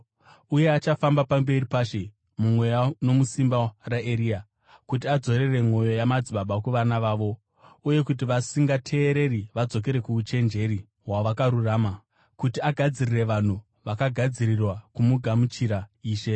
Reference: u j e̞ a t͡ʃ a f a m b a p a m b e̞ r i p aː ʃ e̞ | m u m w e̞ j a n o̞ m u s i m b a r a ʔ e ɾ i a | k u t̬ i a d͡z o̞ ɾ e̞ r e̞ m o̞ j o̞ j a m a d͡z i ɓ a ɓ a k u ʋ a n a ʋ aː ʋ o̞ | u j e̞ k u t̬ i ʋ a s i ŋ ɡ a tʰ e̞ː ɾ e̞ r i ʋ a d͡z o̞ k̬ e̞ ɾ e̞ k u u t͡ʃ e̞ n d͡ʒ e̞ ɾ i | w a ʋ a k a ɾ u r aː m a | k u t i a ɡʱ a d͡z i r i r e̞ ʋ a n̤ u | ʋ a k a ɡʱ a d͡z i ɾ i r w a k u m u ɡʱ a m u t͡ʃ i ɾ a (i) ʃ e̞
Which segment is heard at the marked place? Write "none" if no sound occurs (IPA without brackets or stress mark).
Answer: iː